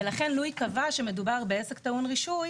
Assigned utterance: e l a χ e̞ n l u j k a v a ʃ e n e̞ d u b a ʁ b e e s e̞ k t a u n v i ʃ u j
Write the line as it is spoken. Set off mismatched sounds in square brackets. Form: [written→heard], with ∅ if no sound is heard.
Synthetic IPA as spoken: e l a χ e̞ n l u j k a v a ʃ e [n→m] e̞ d u b a ʁ b e e s e̞ k t a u n [v→ʁ] i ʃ u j